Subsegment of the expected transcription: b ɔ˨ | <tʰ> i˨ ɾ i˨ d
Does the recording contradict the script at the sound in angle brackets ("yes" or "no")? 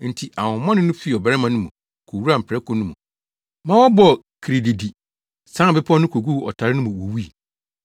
yes